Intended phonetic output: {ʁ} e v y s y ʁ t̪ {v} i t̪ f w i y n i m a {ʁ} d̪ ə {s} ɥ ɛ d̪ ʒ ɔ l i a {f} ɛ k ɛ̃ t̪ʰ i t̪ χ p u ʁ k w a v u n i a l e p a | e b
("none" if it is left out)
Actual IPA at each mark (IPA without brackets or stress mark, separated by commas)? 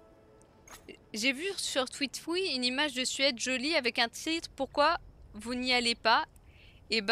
ʒ, w, ʒ, s, v